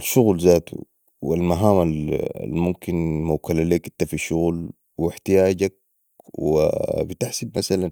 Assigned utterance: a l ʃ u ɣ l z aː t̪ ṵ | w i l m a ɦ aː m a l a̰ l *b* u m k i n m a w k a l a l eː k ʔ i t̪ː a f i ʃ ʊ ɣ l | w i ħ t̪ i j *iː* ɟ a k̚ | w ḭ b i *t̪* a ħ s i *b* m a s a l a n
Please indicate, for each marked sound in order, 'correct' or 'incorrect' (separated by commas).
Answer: incorrect, incorrect, correct, correct